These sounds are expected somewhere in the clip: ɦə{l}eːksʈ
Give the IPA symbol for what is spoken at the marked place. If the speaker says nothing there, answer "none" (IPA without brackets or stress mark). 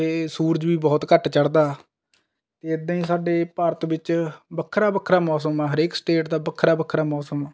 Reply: ɾ